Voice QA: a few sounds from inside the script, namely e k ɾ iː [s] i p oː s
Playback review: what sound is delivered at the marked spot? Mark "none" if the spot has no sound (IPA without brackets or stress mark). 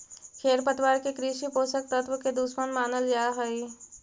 ʃ